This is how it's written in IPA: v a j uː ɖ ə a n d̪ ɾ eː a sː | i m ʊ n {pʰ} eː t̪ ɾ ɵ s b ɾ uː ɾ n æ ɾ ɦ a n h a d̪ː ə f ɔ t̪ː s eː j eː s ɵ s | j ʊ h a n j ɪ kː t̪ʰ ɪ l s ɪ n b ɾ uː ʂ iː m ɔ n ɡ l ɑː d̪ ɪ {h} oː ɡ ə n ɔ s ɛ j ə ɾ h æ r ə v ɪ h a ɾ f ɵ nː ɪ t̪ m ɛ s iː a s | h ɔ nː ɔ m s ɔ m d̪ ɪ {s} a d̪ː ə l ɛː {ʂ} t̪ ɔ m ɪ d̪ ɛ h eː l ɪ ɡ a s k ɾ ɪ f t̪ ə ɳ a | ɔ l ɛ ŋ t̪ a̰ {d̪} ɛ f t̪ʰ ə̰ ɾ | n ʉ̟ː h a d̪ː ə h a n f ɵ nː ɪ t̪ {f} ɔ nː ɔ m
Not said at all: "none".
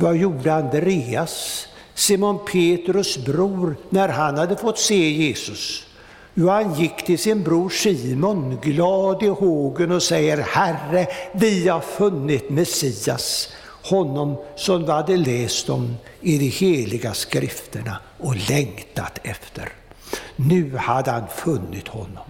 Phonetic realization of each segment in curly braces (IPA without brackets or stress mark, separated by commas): pʰ, h, h, s, t̪, h